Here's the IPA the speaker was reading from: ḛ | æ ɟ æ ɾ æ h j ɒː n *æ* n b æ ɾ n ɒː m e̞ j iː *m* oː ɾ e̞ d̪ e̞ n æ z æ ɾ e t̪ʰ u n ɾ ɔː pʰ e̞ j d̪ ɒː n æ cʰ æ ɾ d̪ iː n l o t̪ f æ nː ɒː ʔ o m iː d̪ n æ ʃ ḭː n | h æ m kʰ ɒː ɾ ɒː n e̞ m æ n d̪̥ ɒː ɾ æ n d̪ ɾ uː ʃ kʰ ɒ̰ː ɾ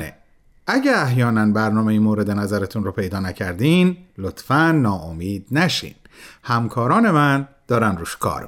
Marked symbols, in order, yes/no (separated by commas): yes, yes